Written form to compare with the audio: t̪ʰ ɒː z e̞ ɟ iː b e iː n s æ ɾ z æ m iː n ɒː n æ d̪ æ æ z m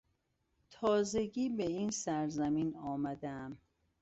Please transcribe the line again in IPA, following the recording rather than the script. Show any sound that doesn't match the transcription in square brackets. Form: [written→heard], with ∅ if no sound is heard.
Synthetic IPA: t̪ʰ ɒː z e̞ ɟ iː b e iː n s æ ɾ z æ m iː n ɒː [n→m] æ d̪ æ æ [z→∅] m